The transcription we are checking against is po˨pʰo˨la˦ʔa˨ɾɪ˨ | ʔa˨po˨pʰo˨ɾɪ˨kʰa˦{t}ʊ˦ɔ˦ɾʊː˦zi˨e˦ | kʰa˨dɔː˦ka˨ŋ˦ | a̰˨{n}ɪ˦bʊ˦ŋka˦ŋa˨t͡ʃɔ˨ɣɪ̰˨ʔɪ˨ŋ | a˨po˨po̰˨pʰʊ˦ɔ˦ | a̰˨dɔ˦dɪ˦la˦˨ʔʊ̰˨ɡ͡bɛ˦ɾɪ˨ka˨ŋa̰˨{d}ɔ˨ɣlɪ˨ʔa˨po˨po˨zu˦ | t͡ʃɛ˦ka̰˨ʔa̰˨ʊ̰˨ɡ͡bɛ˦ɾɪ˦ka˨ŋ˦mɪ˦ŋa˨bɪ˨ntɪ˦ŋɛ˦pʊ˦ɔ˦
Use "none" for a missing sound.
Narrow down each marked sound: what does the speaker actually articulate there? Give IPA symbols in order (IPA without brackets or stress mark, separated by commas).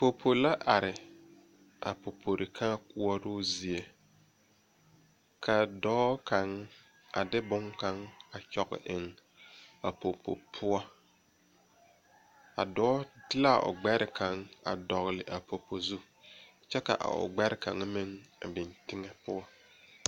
k, d, d